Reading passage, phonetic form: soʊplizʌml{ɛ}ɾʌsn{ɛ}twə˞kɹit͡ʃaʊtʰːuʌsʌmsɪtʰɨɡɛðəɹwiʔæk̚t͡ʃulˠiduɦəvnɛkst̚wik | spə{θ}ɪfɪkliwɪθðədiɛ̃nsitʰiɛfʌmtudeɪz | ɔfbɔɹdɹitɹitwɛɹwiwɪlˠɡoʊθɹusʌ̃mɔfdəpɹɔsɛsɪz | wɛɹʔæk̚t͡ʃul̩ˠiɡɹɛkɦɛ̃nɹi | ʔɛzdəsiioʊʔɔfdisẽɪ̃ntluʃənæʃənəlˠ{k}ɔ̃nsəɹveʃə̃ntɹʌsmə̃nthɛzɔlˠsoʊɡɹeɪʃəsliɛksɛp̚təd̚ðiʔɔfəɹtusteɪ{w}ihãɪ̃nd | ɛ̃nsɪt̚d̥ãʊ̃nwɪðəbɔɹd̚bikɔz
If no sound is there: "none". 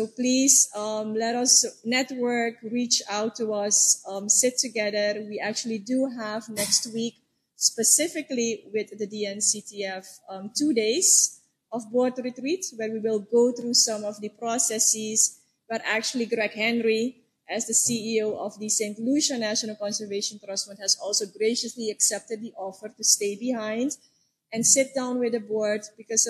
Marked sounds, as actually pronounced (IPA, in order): ɛ, ɛ, s, k, b

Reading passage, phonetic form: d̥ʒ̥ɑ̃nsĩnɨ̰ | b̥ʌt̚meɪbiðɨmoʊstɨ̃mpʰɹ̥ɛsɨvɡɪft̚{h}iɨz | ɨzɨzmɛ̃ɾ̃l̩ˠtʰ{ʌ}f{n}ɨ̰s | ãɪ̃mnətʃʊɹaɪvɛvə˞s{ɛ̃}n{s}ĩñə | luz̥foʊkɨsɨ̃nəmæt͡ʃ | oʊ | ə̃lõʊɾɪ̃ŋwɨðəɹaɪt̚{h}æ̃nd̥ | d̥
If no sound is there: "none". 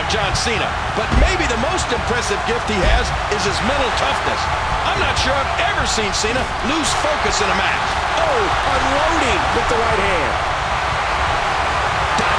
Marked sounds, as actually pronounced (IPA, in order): h, ʌ, n, ĩ, s, h

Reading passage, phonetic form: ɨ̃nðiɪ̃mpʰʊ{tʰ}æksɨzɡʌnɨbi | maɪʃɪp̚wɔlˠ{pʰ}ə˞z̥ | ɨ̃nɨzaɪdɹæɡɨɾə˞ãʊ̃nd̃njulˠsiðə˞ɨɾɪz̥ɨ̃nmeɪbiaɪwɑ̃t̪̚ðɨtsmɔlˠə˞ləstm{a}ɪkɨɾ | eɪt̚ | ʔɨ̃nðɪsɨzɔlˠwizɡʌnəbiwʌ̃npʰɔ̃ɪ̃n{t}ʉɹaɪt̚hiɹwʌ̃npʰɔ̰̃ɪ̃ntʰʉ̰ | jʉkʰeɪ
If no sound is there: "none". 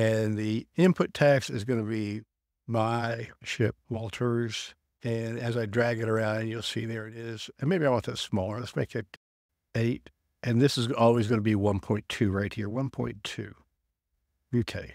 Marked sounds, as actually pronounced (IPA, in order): tʰ, tʰ, e, tʰ

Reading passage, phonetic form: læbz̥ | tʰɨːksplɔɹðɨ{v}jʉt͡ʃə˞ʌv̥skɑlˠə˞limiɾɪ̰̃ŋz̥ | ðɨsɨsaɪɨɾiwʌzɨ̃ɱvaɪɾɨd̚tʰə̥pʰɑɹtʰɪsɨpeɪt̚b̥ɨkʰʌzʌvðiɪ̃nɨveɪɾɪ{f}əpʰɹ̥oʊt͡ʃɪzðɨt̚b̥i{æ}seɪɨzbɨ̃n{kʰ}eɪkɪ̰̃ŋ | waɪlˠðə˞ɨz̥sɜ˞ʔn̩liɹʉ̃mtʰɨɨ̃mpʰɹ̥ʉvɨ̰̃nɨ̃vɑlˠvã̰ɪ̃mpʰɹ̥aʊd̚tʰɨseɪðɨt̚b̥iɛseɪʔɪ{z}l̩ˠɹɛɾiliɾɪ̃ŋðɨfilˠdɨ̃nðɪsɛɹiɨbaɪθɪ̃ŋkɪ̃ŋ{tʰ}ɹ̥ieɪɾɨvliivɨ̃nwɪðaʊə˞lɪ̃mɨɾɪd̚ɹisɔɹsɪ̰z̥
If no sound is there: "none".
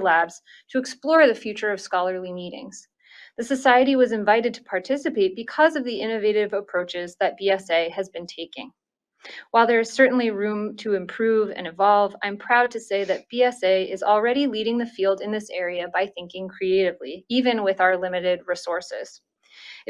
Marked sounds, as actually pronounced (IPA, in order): f, v, ɛ, tʰ, z, kʰ

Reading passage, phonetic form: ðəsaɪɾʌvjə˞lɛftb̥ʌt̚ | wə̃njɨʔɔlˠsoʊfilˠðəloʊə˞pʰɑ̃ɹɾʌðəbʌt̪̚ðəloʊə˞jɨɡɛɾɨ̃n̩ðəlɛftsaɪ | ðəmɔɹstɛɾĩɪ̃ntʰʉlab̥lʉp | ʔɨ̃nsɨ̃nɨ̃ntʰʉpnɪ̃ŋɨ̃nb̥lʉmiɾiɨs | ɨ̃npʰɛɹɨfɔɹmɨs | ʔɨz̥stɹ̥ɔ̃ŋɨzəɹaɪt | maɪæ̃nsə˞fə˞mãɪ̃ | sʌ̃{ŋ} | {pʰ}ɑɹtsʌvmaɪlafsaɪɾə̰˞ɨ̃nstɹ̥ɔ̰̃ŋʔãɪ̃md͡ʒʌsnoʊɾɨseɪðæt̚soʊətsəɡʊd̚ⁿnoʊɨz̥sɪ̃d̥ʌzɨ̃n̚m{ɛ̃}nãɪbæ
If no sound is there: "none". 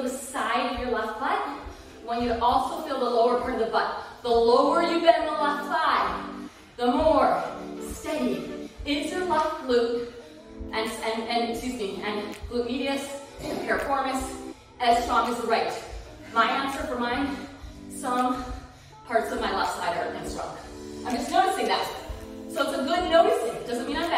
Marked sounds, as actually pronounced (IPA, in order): ŋ, pʰ, ĩ

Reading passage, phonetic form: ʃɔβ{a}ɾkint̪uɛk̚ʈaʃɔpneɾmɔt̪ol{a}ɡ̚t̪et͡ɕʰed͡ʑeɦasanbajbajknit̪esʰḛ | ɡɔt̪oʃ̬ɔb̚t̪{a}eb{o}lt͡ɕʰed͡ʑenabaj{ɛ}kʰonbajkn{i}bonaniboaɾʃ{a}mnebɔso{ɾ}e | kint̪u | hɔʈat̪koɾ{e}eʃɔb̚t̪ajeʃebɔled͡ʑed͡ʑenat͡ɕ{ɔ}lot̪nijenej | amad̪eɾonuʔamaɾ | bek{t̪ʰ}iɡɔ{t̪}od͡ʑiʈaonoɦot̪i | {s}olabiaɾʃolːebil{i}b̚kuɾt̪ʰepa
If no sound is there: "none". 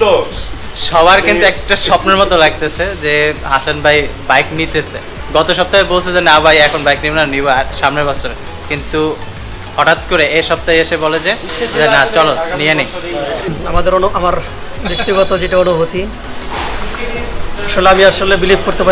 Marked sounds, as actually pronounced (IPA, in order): a, a, a, o, ɛ, i, a, ɾ, e, ɔ, t̪, t̪, ʃ, i

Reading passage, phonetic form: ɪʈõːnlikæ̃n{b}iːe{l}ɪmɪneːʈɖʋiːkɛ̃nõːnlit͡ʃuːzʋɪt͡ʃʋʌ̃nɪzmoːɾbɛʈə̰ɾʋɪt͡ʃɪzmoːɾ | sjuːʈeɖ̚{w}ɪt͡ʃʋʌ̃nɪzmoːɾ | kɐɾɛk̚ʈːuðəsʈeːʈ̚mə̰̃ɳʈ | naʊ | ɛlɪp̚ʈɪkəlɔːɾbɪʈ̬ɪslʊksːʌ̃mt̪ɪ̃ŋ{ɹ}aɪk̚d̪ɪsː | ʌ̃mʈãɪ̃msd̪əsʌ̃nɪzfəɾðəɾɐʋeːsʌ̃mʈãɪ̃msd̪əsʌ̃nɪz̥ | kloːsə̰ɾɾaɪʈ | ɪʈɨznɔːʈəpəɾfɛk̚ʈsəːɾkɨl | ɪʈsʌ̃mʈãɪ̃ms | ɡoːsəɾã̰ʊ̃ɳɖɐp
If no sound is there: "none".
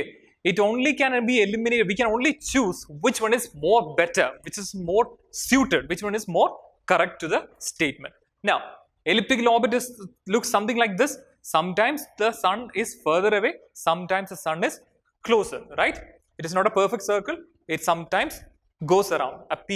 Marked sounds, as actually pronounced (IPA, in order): b, l, ʋ, l

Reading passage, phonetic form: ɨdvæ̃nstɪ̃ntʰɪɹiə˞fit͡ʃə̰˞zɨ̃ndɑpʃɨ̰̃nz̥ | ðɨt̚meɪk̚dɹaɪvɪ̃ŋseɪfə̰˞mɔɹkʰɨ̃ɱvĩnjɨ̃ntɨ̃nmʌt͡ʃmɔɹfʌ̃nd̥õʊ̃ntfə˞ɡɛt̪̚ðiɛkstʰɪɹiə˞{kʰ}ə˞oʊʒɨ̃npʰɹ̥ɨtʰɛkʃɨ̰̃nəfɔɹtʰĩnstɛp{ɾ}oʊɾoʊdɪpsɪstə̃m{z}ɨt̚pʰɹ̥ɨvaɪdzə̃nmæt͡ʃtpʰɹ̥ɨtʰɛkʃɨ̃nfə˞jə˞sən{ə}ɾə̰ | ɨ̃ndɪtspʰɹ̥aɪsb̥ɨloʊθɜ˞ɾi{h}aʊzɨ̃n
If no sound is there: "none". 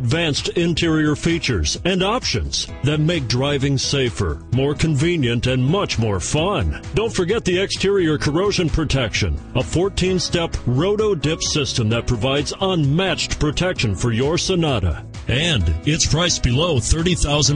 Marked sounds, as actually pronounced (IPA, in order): kʰ, ɹ, ð, ɑ, θ

